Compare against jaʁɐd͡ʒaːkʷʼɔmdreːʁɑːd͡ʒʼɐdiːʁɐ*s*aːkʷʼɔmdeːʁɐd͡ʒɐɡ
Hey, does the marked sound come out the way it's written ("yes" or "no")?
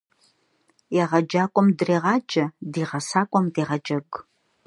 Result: yes